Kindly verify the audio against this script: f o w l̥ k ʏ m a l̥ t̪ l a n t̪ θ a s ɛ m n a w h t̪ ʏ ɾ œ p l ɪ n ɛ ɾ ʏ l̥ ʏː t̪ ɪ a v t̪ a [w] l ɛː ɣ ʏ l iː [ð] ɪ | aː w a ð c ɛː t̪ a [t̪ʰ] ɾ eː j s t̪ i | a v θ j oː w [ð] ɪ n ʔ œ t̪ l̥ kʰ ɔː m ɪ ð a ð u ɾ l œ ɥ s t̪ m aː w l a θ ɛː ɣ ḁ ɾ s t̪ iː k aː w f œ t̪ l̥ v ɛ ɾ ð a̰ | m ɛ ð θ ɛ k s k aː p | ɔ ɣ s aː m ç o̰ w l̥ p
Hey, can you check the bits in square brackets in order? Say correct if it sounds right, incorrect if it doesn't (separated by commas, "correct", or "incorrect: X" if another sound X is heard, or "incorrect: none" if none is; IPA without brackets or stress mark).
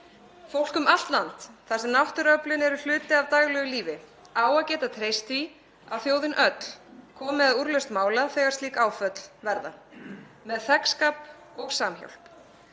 incorrect: ɣ, incorrect: v, correct, correct